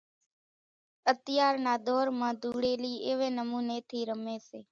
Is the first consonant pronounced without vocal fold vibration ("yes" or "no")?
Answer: yes